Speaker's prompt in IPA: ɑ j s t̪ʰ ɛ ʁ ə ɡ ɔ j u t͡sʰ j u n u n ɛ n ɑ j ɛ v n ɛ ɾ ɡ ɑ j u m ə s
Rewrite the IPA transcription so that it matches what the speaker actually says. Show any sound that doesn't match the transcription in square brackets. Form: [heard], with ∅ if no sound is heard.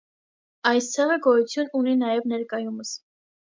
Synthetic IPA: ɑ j s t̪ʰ ɛ ʁ ə ɡ ɔ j u t͡sʰ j u n u n [i] n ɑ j ɛ v n ɛ ɾ [k] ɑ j u m ə s